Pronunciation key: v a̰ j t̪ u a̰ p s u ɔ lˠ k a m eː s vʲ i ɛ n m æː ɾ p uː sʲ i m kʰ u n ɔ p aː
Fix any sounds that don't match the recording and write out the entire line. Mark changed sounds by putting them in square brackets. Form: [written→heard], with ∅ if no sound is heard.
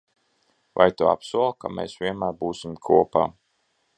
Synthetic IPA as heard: v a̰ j t̪ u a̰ p s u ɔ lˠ k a m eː s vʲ i ɛ n m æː ɾ [p→b] uː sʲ i m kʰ u [n→∅] ɔ p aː